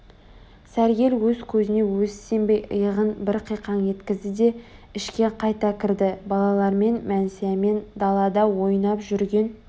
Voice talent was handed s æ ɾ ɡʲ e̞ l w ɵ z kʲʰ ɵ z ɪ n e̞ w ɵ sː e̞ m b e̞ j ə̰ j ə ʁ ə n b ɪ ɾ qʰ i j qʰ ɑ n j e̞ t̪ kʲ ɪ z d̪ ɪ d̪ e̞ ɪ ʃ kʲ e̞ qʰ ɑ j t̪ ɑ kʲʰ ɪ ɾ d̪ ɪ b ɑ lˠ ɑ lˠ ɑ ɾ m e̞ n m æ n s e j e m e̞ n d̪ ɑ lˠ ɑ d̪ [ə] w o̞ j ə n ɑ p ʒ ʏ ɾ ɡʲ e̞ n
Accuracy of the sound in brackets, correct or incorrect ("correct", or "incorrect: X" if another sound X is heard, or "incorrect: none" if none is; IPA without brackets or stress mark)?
incorrect: ɑ